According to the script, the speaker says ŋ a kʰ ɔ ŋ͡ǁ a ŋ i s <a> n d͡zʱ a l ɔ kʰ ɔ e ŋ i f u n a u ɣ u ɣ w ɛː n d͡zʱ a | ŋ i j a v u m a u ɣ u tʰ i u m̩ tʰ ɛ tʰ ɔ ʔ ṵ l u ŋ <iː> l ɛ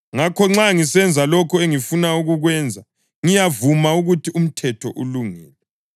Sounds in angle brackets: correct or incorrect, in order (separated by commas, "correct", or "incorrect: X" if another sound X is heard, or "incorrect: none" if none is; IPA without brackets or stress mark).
incorrect: ɛ, incorrect: ɛː